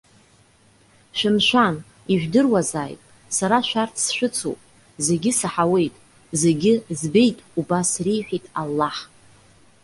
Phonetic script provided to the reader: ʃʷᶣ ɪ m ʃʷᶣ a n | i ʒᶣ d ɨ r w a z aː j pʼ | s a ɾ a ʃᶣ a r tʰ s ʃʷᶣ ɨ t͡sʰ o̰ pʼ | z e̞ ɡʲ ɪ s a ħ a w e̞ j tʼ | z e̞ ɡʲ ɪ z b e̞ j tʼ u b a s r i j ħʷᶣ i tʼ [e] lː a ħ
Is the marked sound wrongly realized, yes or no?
yes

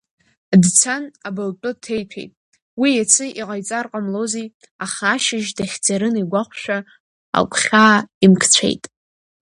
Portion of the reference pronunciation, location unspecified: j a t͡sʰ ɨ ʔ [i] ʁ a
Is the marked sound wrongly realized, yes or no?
no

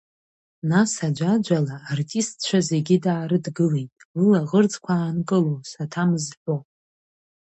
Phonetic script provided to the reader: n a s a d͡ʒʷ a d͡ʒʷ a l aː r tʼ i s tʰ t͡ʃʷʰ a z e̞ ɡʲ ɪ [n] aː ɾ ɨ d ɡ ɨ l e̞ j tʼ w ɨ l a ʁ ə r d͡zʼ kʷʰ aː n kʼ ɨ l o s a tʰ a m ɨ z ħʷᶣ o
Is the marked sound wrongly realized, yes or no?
yes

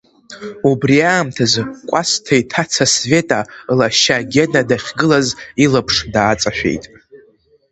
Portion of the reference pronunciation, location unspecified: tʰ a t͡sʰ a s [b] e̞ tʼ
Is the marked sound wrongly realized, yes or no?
yes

